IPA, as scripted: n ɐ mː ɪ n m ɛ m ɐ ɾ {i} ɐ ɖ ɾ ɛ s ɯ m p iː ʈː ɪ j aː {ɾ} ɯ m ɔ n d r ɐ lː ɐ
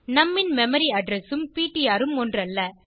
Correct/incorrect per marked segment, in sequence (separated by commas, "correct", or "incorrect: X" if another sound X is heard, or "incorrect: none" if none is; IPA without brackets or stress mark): correct, correct